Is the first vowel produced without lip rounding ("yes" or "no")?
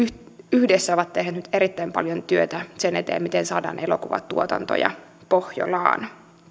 no